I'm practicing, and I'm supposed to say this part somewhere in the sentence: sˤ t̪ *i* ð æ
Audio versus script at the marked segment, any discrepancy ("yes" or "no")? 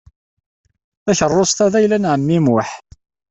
yes